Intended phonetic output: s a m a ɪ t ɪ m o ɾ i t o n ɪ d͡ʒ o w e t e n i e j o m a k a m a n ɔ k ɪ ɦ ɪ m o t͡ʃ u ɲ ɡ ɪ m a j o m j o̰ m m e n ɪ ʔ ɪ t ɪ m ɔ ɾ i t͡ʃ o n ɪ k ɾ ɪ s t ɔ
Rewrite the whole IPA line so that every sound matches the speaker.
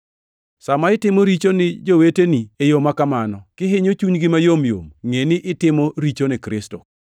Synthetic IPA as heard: s a m a ɪ t ɪ m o ɾ i t͡ʃ o n ɪ d͡ʒ o w e t e n i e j o m a k a m a n ɔ k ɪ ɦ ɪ ɲ o t͡ʃ u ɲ ɡ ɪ m a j o m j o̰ m ŋ e n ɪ ʔ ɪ t ɪ m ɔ ɾ i t͡ʃ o n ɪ k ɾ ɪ s t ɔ